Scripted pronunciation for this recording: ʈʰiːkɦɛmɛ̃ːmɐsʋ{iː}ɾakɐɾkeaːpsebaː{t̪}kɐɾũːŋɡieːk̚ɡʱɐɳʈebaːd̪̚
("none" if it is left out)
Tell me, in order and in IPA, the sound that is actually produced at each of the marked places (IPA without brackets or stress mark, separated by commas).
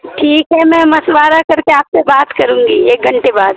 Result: aː, t̪